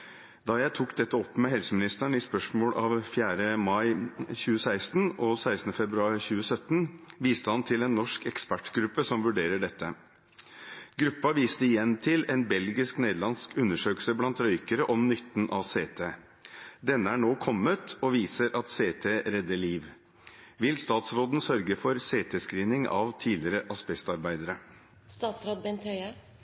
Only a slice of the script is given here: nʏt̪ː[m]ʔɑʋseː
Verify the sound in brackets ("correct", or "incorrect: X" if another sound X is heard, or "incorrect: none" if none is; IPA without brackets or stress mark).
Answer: incorrect: n